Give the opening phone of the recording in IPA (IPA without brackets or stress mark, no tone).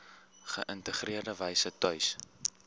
χ